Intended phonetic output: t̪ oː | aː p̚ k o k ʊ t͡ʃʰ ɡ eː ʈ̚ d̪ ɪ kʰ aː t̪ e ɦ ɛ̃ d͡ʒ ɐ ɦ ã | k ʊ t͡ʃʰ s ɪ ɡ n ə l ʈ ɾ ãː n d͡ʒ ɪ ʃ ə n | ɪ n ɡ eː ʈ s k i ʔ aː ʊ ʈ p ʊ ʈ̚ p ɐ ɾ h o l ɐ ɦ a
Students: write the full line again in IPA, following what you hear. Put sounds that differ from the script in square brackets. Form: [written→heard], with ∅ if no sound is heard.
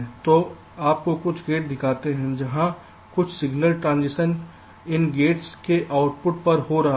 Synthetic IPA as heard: t̪ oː | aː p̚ k o k ʊ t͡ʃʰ ɡ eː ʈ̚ d̪ ɪ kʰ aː t̪ e ɦ ɛ̃ d͡ʒ ɐ ɦ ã | k ʊ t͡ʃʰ s ɪ ɡ n ə l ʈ ɾ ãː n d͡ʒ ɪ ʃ ə n | ɪ n ɡ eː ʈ s k [i→e] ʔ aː ʊ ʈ p ʊ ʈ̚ p ɐ ɾ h o [l→ɾ] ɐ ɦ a